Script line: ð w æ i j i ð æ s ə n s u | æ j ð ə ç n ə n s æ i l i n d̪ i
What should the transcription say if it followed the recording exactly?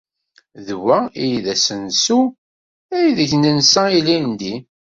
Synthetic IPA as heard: ð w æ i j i ð æ s ə n s u | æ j ð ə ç n ə n s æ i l i n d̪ i